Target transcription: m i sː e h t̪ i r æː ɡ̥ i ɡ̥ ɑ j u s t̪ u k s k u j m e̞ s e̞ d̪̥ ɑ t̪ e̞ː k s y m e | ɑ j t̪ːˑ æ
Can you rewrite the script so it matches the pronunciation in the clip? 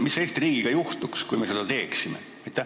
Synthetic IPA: m i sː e h t̪ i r iː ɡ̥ i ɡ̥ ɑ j u h t̪ u k s k u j m e̞ s e̞ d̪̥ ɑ t̪ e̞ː k s i m e | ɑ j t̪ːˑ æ

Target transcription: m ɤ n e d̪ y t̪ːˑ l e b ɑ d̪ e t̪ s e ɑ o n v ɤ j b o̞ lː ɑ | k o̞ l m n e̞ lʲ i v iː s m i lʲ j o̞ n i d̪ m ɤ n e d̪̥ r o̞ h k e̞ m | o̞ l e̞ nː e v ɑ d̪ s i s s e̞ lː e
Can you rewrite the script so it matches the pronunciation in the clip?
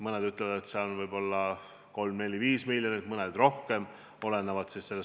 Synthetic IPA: m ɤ n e d̪ y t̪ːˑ l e v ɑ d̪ e t̪ s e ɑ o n v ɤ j b o̞ lː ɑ | k o̞ l m n e̞ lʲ i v iː s m i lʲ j o̞ n i t̪ m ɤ n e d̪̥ r o̞ h k e̞ m | o̞ l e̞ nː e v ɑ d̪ s i s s e̞ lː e

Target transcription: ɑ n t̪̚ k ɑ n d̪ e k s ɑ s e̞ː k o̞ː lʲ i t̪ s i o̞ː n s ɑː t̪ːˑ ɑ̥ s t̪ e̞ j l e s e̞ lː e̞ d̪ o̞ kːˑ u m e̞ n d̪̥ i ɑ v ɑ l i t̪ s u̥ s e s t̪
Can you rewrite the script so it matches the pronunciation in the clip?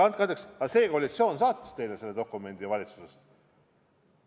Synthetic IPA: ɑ n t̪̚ k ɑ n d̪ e k s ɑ s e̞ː k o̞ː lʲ i t̪ s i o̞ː n s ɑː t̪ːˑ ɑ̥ s t̪ e̞ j l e s e̞ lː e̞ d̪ o̞ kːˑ u m e̞ n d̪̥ i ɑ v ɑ l i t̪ s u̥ s e s t̪

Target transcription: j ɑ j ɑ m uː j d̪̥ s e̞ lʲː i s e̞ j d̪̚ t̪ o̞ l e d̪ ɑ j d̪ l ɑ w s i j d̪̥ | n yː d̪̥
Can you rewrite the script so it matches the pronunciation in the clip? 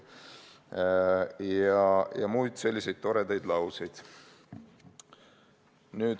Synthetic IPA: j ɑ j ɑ m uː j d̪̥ s e̞ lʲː i s e̞ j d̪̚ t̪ o̞ ɾ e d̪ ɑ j d̪ l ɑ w s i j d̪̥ | n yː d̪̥

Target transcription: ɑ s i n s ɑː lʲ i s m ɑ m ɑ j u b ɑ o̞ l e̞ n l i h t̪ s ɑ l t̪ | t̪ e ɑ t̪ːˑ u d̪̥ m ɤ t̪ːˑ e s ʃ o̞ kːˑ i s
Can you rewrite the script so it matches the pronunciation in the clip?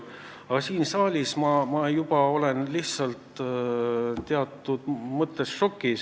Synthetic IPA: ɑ s iː n s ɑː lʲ i s m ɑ m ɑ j u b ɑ o̞ l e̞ n l i h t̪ s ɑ l t̪ | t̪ e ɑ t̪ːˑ u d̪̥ m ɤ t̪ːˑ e s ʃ o̞ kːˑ i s

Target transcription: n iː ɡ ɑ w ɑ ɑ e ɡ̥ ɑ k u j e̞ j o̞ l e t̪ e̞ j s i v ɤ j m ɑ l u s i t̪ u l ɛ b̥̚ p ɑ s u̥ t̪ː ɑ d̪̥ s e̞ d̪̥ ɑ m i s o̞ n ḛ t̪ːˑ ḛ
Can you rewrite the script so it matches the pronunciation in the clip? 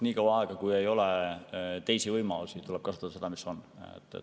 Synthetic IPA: n iː k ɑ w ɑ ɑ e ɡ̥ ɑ k u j e̞ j o̞ l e t̪ e̞ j s i v ɤ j m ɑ l u s i t̪ u l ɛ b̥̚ k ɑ s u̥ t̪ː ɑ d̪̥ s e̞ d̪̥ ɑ m i s o̞ n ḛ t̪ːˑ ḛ

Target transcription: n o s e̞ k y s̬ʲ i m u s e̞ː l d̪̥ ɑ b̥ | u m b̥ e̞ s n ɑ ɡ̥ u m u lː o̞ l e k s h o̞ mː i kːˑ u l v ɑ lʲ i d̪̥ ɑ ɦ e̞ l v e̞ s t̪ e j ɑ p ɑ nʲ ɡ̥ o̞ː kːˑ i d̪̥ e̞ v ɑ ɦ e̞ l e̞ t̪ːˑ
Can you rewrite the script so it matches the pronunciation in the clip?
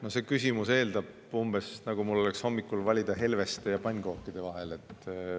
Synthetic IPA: n o s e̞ k y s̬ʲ i m u s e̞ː l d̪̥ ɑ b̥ | u m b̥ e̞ s n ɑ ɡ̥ u m u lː o̞ l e k s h o̞ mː i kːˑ u l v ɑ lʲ i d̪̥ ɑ ɦ e̞ l v e̞ s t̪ e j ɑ p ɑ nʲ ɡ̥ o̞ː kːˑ i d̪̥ e̞ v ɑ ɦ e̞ l e̞ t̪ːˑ

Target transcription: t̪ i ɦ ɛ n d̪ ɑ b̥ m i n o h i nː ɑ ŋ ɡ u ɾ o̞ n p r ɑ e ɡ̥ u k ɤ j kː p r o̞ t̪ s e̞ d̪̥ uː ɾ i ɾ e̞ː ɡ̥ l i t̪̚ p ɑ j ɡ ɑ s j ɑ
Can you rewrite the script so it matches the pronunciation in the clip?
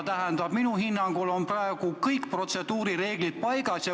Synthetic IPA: t̪ æ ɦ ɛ n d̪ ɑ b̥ m i n u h i nː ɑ ŋ ɡ u l o̞ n p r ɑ e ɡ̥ u k ɤ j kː p r o̞ t̪ s e̞ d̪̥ uː ɾ i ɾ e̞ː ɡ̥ l i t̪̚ p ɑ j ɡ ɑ s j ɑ

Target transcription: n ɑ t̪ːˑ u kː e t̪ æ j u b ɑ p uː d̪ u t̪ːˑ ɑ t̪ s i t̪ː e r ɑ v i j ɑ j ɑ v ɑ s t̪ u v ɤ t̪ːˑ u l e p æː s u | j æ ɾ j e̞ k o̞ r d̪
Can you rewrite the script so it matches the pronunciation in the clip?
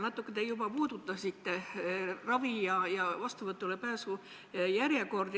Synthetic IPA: n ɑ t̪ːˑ u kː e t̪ e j u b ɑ p uː d̪ u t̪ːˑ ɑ s i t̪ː e r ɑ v i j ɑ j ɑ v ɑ s t̪ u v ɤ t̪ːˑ u l e p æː s u | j æ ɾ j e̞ k o̞ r d̪

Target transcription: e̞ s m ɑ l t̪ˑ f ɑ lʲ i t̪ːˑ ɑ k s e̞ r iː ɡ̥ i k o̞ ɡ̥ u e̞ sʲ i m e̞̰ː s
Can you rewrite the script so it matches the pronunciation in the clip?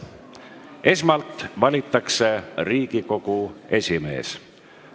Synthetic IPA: e̞ s m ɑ l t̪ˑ v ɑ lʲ i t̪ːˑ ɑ k s e̞ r iː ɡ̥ i k o̞ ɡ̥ u e̞ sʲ i m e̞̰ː s

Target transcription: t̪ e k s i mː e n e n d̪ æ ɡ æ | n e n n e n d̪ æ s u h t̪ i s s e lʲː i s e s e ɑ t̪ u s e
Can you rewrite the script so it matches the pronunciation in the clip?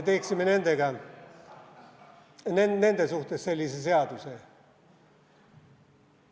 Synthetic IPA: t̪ e k s i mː e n e n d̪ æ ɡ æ | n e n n e n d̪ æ s u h t̪ e s s e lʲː i s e s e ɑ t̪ u s e

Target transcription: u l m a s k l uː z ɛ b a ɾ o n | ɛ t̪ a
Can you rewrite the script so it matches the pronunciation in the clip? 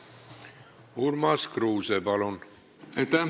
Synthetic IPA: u ɾ m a s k ɾ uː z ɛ b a l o n | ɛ t̪ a

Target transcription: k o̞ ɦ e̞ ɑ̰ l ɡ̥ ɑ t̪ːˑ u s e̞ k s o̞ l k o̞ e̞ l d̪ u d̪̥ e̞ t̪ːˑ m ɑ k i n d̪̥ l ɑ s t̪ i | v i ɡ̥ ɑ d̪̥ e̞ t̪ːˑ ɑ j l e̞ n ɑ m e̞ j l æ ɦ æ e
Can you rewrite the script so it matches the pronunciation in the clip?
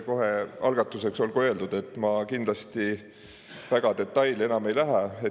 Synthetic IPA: k o̞ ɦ e̞ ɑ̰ l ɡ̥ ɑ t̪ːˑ u s e̞ k s o̞ l k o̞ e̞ l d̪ u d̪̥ e̞ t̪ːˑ m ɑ k i n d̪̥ l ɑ s t̪ i | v æ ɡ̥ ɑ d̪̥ e̞ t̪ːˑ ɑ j l e̞ n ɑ m e̞ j l æ ɦ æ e

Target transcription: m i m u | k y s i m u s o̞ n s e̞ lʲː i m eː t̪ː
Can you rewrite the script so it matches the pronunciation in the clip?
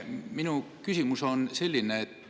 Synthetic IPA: m i n u | k y s i m u s o̞ n s e̞ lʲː i n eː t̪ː

